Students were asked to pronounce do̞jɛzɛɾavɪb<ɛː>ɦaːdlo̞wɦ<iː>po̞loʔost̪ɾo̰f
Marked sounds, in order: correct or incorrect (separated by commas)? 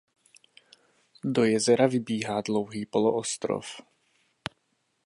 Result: incorrect, correct